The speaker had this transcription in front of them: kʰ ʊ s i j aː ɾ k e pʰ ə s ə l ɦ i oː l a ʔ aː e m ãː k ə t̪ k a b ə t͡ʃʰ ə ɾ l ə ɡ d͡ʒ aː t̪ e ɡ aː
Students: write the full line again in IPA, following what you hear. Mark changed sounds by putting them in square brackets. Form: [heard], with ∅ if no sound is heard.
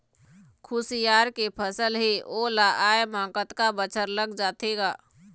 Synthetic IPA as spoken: kʰ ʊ s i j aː ɾ k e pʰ ə s ə l ɦ [e] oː l a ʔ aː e m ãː k ə t̪ k a b ə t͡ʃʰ ə ɾ l ə ɡ d͡ʒ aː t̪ e ɡ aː